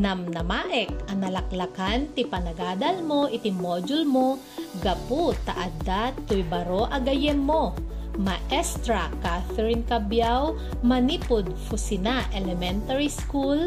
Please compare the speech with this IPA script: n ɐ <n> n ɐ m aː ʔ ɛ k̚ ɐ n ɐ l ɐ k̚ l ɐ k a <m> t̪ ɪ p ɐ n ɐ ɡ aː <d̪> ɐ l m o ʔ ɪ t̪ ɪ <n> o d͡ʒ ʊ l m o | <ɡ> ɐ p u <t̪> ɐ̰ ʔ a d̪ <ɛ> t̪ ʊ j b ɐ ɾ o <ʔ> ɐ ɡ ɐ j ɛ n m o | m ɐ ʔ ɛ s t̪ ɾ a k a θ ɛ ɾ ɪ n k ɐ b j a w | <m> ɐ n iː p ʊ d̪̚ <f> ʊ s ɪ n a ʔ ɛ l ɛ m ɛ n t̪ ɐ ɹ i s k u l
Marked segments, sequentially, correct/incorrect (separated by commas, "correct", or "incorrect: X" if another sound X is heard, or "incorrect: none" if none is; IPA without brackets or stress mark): incorrect: m, incorrect: n, correct, incorrect: m, correct, correct, incorrect: a, correct, correct, correct